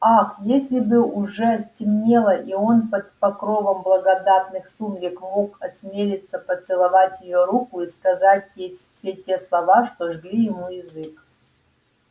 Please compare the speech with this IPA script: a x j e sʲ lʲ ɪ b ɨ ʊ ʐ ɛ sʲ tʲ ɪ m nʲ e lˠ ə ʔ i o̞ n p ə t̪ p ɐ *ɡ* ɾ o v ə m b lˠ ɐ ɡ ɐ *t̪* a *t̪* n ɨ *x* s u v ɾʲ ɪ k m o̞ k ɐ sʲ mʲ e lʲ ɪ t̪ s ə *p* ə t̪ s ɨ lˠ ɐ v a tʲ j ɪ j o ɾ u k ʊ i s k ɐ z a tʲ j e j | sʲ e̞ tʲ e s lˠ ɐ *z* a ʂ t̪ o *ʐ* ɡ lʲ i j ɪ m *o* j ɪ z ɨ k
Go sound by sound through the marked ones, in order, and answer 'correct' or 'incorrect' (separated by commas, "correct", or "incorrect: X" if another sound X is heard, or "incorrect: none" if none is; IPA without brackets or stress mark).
incorrect: k, incorrect: d̪, correct, correct, correct, incorrect: v, correct, incorrect: u